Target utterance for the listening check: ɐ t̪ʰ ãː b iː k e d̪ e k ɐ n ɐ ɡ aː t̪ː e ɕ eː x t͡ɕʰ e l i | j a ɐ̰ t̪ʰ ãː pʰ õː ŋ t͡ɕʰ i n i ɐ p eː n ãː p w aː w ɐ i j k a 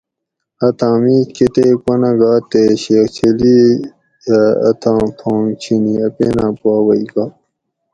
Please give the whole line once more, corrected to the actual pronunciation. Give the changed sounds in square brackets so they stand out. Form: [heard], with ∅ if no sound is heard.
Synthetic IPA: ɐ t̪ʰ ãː [m] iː k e [t̪] e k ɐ n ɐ ɡ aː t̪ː e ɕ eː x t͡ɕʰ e l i | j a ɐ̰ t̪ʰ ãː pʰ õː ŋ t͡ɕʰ i n i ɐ p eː n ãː p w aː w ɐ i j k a